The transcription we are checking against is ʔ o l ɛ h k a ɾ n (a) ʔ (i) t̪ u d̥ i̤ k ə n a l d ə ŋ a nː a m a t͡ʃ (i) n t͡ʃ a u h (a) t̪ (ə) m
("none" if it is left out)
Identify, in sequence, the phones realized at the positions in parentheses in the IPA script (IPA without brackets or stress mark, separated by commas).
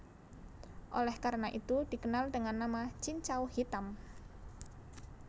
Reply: a, i, i, i, a